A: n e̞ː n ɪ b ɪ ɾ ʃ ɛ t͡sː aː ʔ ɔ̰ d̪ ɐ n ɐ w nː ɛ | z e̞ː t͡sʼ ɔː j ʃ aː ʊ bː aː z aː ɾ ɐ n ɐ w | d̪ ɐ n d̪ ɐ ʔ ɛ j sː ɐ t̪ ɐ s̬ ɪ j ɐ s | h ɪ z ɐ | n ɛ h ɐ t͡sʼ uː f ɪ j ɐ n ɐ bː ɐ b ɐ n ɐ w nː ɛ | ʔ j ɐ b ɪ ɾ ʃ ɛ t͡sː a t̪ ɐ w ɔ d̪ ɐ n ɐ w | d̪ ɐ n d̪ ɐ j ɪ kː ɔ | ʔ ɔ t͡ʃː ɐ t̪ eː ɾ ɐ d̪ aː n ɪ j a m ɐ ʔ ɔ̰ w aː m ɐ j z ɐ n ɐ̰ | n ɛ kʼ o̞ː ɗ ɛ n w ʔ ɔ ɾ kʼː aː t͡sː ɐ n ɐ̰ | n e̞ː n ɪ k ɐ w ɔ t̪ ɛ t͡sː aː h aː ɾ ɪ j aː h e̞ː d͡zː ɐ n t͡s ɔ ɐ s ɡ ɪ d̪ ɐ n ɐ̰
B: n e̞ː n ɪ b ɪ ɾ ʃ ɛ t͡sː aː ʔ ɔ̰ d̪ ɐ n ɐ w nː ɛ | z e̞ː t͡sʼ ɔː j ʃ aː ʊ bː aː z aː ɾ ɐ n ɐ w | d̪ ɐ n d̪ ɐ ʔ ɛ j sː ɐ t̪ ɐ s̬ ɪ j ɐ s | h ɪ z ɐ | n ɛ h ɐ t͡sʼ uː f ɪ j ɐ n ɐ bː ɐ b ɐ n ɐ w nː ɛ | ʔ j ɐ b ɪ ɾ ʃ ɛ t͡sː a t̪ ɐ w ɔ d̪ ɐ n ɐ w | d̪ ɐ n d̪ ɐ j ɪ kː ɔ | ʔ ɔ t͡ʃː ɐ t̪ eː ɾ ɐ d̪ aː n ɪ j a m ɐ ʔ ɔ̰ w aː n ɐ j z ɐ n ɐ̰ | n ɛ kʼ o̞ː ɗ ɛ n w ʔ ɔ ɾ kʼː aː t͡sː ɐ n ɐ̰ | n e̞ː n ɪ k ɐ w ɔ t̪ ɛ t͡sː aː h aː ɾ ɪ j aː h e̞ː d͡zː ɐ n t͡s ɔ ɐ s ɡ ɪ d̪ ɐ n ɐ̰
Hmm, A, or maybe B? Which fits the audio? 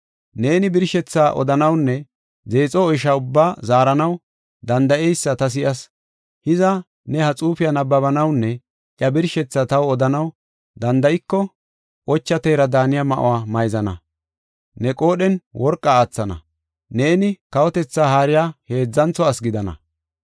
A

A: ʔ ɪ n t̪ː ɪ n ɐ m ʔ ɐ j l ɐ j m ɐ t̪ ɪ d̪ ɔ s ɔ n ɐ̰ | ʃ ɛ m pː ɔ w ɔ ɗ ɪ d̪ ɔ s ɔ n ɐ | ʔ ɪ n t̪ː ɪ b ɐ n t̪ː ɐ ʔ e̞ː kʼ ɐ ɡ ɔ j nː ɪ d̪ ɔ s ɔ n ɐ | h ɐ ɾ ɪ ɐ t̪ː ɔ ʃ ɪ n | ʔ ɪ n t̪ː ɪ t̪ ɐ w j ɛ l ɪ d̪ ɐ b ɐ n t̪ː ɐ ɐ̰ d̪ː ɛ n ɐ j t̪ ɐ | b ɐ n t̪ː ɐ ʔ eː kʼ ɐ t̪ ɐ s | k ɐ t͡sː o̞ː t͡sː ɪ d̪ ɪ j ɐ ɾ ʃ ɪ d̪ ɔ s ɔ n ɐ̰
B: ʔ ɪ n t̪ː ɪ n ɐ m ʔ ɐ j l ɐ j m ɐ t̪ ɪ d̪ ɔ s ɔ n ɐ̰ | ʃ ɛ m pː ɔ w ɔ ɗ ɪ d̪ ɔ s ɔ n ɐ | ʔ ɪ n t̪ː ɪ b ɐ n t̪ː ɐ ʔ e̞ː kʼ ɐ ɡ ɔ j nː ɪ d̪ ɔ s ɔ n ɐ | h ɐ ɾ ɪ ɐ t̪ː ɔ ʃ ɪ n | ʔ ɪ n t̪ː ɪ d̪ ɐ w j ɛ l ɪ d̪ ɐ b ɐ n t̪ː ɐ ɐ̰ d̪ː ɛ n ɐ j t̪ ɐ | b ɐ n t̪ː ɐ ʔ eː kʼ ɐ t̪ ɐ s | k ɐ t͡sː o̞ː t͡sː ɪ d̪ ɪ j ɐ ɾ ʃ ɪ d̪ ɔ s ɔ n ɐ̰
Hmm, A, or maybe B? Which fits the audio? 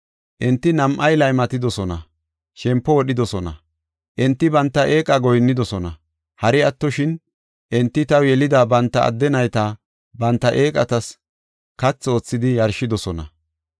A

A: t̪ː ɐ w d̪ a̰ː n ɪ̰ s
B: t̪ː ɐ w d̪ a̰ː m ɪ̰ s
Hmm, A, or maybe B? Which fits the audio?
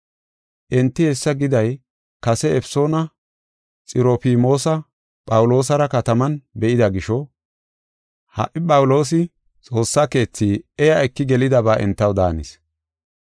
A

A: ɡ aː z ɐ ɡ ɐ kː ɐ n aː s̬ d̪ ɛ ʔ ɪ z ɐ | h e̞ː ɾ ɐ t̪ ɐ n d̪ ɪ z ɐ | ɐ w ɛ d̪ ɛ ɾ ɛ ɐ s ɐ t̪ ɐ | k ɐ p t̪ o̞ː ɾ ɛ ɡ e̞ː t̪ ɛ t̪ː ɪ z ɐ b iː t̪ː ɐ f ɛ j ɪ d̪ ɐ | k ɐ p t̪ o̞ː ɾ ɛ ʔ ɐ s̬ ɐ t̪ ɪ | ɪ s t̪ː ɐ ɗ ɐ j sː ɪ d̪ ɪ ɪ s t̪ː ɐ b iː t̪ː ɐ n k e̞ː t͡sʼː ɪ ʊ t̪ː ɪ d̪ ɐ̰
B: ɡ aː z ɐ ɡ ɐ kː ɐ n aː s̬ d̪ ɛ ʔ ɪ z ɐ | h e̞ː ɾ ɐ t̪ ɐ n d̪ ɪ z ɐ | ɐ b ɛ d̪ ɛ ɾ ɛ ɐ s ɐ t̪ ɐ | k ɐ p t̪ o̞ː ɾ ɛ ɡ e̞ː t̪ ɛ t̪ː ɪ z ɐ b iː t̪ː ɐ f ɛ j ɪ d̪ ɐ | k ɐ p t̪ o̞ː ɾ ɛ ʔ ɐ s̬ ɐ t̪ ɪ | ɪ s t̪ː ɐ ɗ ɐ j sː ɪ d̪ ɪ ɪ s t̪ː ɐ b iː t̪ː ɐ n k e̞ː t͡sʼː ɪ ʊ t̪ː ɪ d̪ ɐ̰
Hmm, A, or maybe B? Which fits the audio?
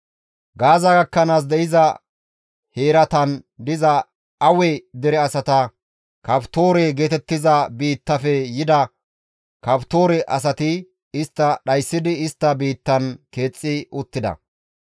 A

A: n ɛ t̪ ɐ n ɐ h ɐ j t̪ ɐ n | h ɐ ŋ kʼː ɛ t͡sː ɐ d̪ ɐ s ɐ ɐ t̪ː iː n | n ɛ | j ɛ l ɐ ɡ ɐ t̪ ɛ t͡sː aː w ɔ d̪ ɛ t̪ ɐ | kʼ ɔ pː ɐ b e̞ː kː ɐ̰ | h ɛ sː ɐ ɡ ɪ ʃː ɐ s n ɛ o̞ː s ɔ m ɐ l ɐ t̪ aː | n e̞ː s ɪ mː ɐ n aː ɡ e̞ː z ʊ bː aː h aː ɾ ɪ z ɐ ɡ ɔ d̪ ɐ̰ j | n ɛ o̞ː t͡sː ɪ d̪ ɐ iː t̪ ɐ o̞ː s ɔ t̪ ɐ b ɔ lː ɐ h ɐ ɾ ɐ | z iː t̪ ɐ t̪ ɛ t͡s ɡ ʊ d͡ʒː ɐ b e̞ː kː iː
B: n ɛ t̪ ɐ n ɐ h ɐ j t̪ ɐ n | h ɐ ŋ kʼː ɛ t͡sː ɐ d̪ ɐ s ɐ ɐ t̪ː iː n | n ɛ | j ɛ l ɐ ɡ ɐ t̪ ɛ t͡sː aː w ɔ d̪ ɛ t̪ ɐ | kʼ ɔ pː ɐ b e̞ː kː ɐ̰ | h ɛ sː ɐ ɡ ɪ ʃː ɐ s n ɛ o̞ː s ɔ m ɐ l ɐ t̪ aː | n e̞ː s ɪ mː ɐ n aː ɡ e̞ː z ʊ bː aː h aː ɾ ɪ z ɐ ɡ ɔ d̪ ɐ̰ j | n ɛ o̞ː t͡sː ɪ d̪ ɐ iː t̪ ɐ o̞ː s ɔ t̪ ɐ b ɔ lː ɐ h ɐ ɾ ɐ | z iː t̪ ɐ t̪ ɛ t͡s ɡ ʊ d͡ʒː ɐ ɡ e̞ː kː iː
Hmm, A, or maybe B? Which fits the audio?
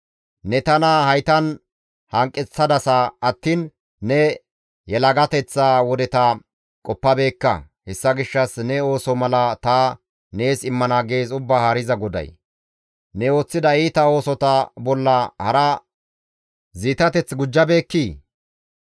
A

